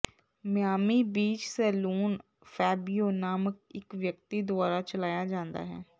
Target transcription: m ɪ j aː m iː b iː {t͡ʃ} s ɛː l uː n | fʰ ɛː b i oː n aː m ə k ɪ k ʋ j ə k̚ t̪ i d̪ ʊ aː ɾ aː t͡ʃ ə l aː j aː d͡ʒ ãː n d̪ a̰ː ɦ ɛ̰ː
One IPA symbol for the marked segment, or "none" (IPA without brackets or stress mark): t͡ʃ